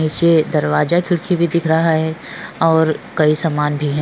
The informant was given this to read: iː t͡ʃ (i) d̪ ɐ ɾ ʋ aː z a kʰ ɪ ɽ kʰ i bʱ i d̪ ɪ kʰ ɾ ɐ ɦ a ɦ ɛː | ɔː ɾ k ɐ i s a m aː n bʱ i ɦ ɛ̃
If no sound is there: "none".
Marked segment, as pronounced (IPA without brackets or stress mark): e